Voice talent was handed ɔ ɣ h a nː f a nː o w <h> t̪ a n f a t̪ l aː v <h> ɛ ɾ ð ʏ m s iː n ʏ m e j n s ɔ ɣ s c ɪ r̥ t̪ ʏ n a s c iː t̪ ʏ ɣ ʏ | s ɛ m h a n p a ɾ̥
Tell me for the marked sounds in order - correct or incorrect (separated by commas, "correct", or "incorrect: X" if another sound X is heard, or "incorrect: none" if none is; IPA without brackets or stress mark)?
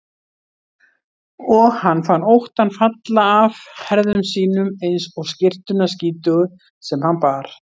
correct, correct